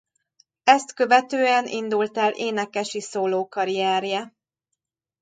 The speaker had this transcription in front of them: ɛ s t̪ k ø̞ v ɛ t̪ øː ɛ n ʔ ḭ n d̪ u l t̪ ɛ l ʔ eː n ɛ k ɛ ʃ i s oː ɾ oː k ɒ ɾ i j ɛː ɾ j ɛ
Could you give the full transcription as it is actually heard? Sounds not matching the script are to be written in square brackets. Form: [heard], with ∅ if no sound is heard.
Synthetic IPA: ɛ s t̪ k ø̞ v ɛ t̪ øː ɛ n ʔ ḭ n d̪ u l t̪ ɛ l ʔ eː n ɛ k ɛ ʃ i s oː [l] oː k ɒ ɾ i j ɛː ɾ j ɛ